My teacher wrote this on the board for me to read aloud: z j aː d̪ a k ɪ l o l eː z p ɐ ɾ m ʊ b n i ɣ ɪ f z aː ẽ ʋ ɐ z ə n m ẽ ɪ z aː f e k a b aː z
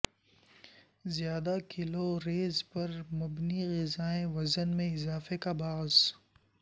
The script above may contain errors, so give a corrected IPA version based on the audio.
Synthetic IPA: z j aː d̪ a k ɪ l o ɾ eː z p ɐ ɾ m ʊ b n i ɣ ɪ z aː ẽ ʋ ɐ z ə n m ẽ ɪ z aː f e k a b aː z